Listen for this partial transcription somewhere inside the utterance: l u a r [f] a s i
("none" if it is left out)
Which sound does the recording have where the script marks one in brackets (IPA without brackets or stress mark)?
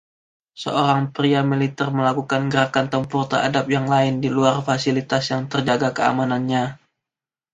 f